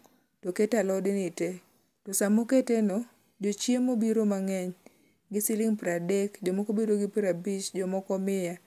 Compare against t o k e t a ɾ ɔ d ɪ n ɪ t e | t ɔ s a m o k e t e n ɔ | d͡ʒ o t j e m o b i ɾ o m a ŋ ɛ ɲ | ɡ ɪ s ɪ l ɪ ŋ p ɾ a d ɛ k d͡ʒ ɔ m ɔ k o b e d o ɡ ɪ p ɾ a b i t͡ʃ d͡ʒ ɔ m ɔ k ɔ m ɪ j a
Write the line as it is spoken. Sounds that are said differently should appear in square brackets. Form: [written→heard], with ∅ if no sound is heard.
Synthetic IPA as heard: t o k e t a [ɾ→l] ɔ d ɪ n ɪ t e | t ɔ s a m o k e t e n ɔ | d͡ʒ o [t→t͡ʃ] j e m o b i ɾ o m a ŋ ɛ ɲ | ɡ ɪ s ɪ l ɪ ŋ p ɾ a d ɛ k d͡ʒ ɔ m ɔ k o b e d o ɡ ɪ p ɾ a b i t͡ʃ d͡ʒ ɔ m ɔ k ɔ m ɪ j a

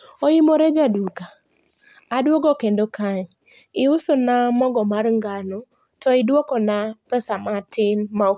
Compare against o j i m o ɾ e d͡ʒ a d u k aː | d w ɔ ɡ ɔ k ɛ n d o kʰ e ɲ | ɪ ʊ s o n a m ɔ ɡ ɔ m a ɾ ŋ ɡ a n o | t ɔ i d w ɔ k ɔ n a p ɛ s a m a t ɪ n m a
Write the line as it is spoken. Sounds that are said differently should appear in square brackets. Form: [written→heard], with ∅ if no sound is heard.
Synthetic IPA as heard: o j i m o ɾ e d͡ʒ a d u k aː | d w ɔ ɡ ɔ k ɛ n d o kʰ [e→a] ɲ | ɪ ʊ s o n a m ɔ ɡ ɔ m a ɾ ŋ ɡ a n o | t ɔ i d w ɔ k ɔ n a p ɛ s a m a t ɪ n m a

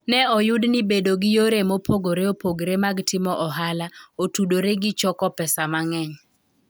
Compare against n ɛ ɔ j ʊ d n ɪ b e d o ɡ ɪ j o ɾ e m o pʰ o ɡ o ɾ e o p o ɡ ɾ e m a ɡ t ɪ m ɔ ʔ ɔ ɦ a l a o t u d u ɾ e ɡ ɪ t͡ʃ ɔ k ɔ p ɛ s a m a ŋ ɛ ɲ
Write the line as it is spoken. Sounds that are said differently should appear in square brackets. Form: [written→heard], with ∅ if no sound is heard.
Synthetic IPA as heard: n ɛ ɔ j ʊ d n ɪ b e d o ɡ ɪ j o ɾ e m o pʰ o ɡ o ɾ e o p o ɡ ɾ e m a ɡ t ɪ m ɔ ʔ ɔ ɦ a l a o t u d [u→o] ɾ e ɡ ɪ t͡ʃ ɔ k ɔ p ɛ s a m a ŋ ɛ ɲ

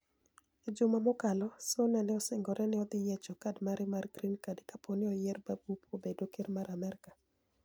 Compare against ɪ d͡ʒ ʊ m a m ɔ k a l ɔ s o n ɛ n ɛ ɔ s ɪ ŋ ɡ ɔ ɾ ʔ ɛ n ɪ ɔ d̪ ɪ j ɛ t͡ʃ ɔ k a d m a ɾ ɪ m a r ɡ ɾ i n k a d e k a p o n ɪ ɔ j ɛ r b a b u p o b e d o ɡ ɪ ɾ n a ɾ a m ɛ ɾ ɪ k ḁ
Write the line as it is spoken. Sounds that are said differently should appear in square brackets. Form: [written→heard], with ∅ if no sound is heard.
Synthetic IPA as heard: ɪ d͡ʒ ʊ m a m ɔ k a l ɔ s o n ɛ n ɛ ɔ s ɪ ŋ ɡ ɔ ɾ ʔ ɛ n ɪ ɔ d̪ ɪ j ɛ t͡ʃ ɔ k a d m a ɾ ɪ m a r ɡ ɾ i n k a d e k a p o n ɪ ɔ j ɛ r b a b u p o b e d o [ɡ→k] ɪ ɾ [n→m] a ɾ a m ɛ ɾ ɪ k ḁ

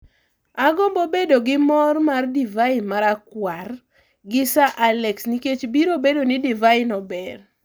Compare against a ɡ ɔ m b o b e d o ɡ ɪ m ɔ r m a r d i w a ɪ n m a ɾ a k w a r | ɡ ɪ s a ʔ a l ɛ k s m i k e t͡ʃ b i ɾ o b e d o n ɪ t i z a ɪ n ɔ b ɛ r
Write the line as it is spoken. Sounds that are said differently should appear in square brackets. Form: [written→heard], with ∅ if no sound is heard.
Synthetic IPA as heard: a ɡ ɔ m b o b e d o ɡ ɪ m ɔ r m a r d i [w→v] a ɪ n m a ɾ a k w a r | ɡ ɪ s a ʔ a l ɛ k s [m→n] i k e t͡ʃ b i ɾ o b e d o n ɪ [t→d] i [z→v] a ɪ n ɔ b ɛ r

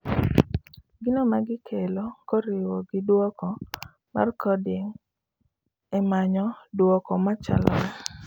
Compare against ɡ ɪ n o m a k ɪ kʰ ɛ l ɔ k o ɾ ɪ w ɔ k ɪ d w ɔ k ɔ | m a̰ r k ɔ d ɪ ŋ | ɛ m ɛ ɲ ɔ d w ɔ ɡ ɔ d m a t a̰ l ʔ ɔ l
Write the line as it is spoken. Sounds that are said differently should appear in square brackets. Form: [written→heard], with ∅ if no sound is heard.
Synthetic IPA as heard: ɡ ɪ n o m a [k→ɡ] ɪ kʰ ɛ l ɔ k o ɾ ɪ w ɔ [k→ɡ] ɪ d w ɔ k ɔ | m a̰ r k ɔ d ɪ ŋ | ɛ m [ɛ→a] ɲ ɔ d w ɔ [ɡ→k] ɔ [d→∅] m a [t→t͡ʃ] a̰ l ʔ ɔ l

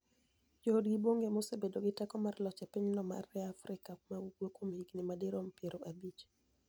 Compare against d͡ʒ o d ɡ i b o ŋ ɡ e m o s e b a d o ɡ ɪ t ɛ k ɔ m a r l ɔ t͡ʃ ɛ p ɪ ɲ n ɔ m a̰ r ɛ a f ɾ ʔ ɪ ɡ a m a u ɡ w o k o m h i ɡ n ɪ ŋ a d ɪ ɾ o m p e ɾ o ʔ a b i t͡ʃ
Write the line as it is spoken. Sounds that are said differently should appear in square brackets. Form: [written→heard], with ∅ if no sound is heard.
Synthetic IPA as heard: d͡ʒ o d ɡ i b o ŋ ɡ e m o s e b [a→e] d o ɡ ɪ t ɛ k ɔ m a r l ɔ t͡ʃ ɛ p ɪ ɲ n ɔ m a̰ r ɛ a f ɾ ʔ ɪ [ɡ→k] a m a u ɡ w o k o m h i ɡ n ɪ [ŋ→m] a d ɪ ɾ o m p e ɾ o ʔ a b i t͡ʃ

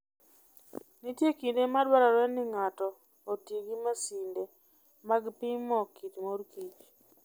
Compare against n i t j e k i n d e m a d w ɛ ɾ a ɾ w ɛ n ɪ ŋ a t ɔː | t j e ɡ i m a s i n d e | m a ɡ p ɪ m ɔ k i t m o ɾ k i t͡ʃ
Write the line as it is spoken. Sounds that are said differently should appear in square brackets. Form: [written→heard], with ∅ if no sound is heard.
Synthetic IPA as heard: n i t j e k i n d e m a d w [ɛ→a] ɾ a ɾ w ɛ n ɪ ŋ a t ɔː | t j e ɡ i m a s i n d e | m a ɡ p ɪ m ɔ k i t m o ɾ k i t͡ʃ

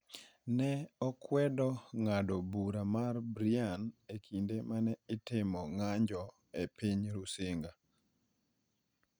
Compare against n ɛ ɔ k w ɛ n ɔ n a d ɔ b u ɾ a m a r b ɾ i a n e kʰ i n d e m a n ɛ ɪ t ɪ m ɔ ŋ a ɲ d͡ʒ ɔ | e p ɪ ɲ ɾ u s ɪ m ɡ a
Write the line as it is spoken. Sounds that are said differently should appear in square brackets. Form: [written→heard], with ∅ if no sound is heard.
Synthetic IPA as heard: n ɛ ɔ k w ɛ [n→d] ɔ [n→ŋ] a d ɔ b u ɾ a m a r b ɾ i a n e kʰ i n d e m a n ɛ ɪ t ɪ m ɔ ŋ a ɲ d͡ʒ ɔ | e p [ɪ→i] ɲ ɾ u s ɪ [m→ŋ] ɡ a

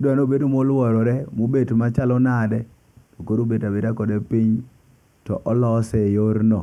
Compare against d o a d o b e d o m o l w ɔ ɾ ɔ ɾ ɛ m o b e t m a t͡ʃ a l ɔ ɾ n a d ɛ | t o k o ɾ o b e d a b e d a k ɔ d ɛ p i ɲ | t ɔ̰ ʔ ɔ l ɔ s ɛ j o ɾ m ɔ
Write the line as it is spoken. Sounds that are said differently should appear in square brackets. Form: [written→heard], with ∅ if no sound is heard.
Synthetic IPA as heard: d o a [d→n] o b e d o m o l w ɔ ɾ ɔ ɾ ɛ m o b e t m a t͡ʃ a l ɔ [ɾ→∅] n a d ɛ | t o k o ɾ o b e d a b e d a k ɔ d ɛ p i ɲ | t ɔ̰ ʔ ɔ l ɔ s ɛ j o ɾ [m→n] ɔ

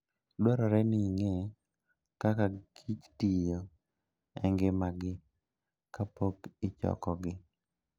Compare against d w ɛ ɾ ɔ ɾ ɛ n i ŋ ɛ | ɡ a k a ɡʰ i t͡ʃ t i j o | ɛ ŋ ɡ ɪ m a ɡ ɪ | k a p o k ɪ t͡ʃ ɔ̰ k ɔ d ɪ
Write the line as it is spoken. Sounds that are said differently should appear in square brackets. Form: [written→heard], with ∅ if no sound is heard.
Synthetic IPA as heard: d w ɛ ɾ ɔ ɾ ɛ n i ŋ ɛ | [ɡ→k] a k a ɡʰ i t͡ʃ t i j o | ɛ ŋ ɡ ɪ m a ɡ ɪ | k a p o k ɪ t͡ʃ ɔ̰ k ɔ [d→ɡ] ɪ

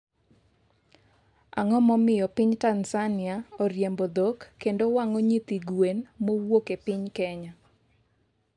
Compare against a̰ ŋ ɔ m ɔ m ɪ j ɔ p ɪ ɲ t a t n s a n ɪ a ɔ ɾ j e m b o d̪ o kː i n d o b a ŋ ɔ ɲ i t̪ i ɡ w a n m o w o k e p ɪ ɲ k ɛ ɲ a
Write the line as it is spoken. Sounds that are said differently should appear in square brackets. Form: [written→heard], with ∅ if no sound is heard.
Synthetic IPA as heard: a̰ ŋ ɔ m ɔ m ɪ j ɔ p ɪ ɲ t a [t→∅] n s a n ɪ a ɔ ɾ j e m b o d̪ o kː [i→e] n d o [b→w] a ŋ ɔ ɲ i t̪ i ɡ w [a→e] n m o w o k e p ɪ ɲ k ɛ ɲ a

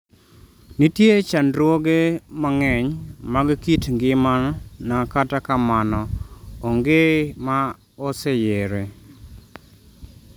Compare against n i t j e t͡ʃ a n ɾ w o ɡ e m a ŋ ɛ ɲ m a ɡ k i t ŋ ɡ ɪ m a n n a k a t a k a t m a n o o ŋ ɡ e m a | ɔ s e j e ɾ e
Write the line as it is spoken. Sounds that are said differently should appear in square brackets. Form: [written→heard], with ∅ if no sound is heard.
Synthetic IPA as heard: n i t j e t͡ʃ a n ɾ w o ɡ e m a ŋ ɛ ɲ m a ɡ k i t ŋ ɡ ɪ m a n n a k a t a k a [t→∅] m a n [o→ɔ] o ŋ ɡ e m a | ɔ s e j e ɾ e

